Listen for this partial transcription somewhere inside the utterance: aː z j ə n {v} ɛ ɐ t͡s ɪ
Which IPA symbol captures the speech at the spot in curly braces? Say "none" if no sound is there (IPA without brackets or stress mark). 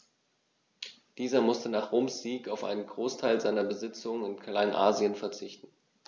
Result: f